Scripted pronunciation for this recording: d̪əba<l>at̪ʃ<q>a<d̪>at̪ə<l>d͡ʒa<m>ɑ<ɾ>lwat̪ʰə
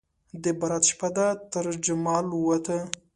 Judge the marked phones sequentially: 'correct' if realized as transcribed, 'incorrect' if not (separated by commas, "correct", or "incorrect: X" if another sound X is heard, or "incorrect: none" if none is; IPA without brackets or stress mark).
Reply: incorrect: ɾ, incorrect: p, correct, incorrect: ɾ, correct, incorrect: none